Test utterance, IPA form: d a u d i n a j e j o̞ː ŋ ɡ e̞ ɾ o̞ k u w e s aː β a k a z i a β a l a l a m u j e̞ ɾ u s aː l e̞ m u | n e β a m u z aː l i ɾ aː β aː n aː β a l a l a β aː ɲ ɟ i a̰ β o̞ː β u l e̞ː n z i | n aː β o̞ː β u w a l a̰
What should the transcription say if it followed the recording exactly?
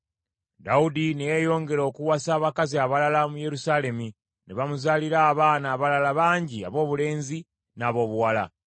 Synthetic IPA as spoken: d a u d i n e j e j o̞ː ŋ ɡ e̞ ɾ o̞ k u w a s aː β a k a z i a β a l a l a m u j e̞ ɾ u s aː l e̞ m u | n e β a m u z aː l i ɾ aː β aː n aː β a l a l a β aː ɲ ɟ i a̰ β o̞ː β u l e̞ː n z i | n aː β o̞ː β u w a l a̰